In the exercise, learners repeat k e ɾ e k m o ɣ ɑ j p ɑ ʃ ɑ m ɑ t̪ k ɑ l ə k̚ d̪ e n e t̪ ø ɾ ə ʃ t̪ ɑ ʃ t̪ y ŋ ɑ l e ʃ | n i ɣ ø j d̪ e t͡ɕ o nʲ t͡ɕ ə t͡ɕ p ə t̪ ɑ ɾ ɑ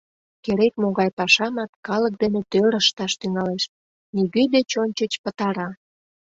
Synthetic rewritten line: k e ɾ e k m o ɣ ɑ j p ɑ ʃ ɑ m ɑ t̪ k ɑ l ə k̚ d̪ e n e t̪ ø ɾ ə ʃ t̪ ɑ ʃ t̪ y ŋ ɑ l e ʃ | n i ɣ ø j d̪ e t͡ɕ o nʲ t͡ɕ ə t͡ɕ p ə t̪ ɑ ɾ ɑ